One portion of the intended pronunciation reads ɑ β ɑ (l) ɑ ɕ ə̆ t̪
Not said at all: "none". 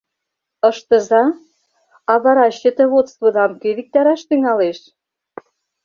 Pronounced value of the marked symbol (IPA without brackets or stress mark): ɾ